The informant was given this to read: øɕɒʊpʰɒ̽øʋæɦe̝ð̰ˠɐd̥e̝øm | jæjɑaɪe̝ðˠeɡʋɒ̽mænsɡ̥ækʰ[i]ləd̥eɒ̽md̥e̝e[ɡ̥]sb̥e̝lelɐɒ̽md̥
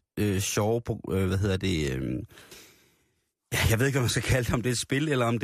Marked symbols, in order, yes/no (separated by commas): no, no